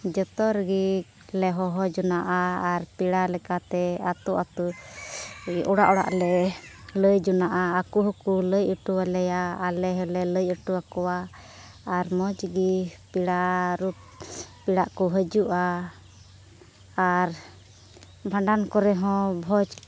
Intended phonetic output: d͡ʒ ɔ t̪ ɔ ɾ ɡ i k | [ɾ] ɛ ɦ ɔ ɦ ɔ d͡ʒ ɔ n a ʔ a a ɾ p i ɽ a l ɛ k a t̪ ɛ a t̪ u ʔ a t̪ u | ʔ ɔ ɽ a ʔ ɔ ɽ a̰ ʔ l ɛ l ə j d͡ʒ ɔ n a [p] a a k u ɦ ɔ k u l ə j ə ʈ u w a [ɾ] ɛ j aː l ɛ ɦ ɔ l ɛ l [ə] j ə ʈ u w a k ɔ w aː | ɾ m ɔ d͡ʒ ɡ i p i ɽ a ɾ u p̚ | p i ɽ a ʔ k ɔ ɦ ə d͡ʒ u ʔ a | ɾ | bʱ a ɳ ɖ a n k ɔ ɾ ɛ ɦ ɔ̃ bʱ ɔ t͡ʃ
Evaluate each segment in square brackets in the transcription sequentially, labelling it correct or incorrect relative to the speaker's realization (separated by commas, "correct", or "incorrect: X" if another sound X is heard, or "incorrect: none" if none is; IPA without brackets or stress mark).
incorrect: l, incorrect: ʔ, incorrect: l, correct